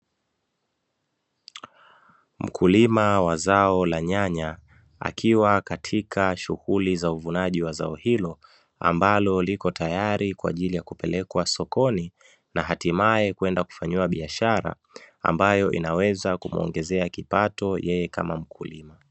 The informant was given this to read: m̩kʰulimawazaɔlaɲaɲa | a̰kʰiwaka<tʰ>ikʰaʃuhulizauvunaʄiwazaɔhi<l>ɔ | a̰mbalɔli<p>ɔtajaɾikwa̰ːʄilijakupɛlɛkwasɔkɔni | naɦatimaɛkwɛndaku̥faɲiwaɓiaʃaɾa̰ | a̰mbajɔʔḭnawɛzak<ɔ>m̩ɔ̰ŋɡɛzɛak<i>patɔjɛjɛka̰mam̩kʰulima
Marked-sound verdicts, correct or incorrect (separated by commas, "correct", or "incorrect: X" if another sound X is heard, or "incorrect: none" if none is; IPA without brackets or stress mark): correct, correct, incorrect: k, incorrect: u, correct